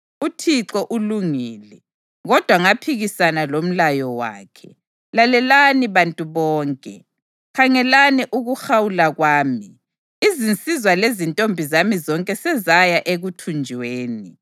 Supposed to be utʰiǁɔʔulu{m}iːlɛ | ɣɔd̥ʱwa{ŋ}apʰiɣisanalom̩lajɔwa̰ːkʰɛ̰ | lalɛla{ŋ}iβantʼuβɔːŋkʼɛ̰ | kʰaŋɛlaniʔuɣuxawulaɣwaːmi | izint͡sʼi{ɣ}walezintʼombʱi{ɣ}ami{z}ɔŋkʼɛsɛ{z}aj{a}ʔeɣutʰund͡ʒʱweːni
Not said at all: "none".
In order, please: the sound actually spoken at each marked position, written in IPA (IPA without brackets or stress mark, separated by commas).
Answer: ŋ, ŋ, n, z, z, z, z, a